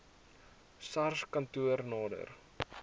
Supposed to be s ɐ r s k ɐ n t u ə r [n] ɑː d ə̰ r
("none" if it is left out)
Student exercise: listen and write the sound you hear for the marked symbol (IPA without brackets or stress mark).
n